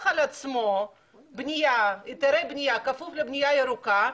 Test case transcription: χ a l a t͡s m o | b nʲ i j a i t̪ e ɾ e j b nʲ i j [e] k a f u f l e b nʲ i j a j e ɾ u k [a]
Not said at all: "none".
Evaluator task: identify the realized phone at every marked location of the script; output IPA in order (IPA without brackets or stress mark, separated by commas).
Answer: a, a